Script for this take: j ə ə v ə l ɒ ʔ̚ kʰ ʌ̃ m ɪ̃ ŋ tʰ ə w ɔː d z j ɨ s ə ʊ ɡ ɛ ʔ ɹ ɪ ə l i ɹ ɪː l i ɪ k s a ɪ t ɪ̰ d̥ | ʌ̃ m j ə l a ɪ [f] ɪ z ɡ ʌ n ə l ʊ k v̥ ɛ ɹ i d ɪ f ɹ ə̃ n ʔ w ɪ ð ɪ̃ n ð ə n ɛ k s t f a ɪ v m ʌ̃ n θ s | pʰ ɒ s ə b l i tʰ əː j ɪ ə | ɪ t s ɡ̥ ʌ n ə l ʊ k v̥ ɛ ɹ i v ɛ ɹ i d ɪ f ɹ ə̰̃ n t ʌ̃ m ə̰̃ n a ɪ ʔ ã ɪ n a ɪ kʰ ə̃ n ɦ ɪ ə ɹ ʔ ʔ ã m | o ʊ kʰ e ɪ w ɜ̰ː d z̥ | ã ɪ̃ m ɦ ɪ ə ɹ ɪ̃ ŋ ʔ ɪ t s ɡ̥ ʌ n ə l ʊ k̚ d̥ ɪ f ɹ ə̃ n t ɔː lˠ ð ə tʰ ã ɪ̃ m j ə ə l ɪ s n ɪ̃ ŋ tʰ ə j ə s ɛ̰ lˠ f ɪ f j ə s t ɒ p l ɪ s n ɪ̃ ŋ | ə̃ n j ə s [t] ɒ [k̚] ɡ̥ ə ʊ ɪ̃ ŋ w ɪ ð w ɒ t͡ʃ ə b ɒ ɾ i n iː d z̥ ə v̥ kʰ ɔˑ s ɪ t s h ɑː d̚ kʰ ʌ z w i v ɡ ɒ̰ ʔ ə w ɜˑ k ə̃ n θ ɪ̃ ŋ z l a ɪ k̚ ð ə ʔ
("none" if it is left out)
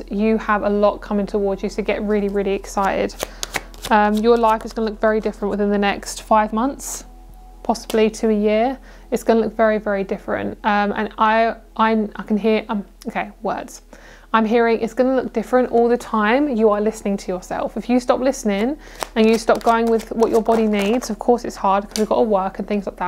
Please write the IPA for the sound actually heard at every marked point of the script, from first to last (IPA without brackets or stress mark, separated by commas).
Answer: f, t, p̚